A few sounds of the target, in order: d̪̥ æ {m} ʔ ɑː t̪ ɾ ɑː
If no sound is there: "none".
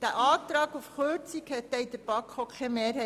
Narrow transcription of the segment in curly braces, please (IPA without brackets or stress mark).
none